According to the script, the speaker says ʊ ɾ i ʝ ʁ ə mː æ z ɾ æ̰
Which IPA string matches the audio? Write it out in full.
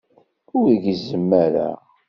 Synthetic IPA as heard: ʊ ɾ i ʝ z ə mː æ ɾ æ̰